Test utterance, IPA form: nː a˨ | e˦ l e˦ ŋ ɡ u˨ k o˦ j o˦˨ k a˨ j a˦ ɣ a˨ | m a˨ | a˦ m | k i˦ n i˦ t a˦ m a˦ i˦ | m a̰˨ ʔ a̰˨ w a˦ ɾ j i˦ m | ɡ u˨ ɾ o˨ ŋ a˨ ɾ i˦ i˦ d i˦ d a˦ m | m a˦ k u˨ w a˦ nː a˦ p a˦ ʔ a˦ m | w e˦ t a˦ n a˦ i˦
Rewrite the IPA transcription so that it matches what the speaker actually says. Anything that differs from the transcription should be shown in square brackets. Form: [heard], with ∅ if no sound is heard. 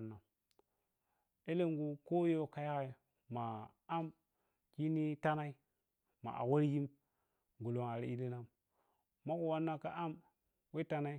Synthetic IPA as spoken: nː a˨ | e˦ l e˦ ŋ ɡ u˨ k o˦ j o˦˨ k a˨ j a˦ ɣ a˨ | m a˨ | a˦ m | k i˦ n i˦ t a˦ [n] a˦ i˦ | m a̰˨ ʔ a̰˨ w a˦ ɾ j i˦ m | ɡ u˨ [l] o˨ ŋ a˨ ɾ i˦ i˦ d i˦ [n] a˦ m | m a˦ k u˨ w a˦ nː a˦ [k] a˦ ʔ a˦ m | w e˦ t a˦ n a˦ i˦